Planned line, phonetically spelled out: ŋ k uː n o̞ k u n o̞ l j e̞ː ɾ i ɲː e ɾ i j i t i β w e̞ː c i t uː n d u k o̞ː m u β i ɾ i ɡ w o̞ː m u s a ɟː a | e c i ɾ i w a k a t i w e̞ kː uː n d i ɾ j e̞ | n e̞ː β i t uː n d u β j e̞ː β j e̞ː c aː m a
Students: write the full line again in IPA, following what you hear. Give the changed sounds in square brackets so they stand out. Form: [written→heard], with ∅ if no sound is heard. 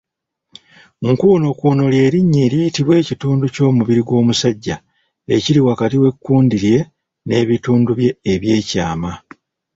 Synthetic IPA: ŋ k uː n o̞ k u n o̞ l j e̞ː ɾ i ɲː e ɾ i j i t i β w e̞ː c i t uː n d u [k→c] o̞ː m u β i ɾ i ɡ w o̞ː m u s a ɟː a | e c i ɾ i w a k a t i w e̞ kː uː n d i ɾ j e̞ | n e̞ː β i t uː n d u β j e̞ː β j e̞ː c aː m a